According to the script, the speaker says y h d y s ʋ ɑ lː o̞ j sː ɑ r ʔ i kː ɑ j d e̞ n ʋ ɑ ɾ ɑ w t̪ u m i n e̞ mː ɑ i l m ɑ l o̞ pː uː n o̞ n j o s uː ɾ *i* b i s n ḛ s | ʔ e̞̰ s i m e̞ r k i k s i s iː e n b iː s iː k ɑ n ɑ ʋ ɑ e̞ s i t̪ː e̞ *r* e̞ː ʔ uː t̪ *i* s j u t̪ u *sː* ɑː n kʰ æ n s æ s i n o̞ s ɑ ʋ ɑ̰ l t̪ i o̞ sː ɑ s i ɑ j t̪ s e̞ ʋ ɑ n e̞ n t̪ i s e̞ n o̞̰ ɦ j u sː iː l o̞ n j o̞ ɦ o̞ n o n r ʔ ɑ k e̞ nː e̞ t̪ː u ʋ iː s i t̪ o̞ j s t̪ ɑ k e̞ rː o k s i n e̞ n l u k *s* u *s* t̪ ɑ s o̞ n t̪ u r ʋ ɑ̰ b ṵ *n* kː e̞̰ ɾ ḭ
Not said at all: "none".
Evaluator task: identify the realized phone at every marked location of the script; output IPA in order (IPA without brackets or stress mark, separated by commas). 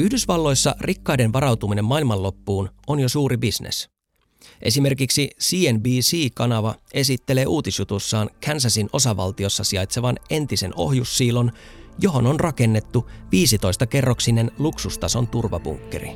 i, l, i, sː, s, s, ŋ